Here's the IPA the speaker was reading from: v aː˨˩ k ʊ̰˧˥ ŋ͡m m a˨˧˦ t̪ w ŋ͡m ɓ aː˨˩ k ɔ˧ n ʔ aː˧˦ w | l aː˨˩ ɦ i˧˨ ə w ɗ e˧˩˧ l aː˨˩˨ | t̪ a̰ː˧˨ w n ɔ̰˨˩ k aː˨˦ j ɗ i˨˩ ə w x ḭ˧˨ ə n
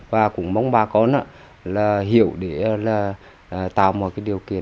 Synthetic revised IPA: v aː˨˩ k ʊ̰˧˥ ŋ͡m m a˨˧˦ w ŋ͡m ɓ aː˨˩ k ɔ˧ n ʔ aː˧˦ | l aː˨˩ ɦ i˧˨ ə w ɗ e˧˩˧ l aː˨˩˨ | t̪ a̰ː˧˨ w m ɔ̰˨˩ k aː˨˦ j ɗ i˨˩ ə w k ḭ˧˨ ə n